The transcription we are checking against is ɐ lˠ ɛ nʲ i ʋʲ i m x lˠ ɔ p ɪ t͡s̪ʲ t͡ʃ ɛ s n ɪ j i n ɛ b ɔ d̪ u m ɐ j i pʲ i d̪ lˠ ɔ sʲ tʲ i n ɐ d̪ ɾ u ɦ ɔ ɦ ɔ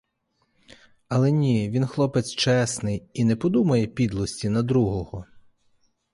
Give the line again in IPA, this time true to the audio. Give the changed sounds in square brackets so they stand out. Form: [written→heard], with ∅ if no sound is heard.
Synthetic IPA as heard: ɐ lˠ ɛ nʲ i ʋʲ i [m→n] x lˠ ɔ p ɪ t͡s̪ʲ t͡ʃ ɛ s n ɪ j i n ɛ [b→p] ɔ d̪ u m ɐ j [i→ɛ] pʲ i d̪ lˠ ɔ sʲ tʲ i n ɐ d̪ ɾ u ɦ ɔ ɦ ɔ